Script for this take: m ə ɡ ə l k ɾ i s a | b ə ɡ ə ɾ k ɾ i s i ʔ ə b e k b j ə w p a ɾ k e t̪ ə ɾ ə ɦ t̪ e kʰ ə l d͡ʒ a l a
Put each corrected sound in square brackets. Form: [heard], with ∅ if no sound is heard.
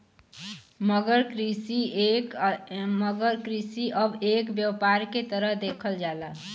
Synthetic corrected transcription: m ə ɡ ə [ɾ] k ɾ i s [i] | [m] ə ɡ ə ɾ k ɾ i s i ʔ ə b e k b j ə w p a ɾ k e t̪ ə ɾ ə ɦ [d̪] e kʰ ə l d͡ʒ a l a